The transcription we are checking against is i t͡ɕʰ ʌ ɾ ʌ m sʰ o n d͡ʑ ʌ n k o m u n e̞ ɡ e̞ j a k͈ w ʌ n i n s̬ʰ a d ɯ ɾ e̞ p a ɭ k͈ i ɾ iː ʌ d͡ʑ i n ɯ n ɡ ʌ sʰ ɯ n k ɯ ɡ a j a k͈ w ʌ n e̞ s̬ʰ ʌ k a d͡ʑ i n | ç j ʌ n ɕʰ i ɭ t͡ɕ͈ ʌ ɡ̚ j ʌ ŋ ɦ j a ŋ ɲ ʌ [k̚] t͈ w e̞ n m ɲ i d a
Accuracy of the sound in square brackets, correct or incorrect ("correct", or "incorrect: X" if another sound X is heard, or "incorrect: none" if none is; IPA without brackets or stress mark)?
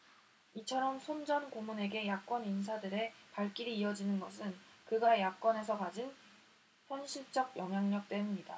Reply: correct